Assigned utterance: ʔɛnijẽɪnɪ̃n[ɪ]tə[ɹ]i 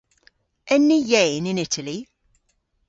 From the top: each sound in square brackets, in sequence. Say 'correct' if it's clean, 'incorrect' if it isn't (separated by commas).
correct, incorrect